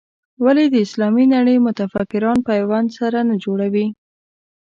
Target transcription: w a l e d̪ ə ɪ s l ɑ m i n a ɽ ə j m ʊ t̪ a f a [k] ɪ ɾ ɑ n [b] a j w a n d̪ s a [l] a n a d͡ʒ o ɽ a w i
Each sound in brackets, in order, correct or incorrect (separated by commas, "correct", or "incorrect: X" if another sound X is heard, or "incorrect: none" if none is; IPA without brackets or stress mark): correct, incorrect: p, incorrect: ɾ